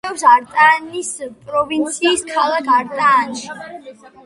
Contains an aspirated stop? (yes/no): yes